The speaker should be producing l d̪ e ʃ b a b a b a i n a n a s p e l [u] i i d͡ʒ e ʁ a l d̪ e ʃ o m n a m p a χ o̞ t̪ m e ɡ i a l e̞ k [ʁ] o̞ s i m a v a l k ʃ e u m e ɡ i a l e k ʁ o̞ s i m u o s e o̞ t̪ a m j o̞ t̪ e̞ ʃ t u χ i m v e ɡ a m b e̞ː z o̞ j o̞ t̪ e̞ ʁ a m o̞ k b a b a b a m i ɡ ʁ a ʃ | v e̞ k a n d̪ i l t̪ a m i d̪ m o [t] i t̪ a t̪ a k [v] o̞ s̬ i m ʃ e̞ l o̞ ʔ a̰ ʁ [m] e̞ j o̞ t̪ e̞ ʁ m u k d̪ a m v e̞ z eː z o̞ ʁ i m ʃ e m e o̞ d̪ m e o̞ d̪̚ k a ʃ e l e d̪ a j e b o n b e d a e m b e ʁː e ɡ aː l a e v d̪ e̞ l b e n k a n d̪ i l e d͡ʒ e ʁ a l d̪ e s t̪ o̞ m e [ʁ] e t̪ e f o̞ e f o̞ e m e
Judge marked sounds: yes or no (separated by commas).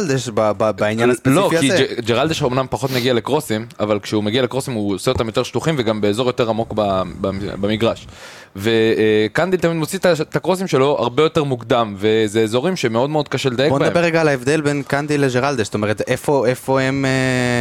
no, yes, no, no, no, yes